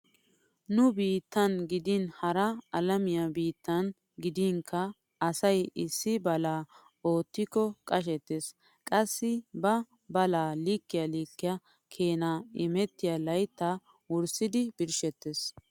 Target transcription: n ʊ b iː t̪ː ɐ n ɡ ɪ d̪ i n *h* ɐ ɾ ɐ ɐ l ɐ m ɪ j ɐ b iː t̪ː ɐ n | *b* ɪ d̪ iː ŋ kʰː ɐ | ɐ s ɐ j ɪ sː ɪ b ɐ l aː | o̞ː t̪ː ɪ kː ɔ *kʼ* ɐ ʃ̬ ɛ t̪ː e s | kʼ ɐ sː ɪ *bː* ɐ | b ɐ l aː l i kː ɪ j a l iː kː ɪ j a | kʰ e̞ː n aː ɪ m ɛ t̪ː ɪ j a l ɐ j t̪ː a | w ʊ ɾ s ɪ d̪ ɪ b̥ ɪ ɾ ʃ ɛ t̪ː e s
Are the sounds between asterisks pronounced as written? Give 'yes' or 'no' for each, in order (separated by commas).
yes, no, yes, no